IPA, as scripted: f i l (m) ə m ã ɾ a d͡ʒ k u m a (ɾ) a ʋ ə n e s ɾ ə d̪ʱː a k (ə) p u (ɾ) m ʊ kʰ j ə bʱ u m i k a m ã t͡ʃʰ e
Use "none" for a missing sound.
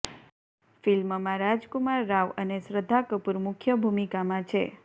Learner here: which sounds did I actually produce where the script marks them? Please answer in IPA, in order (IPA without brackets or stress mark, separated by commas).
m, ɾː, ə, ɾ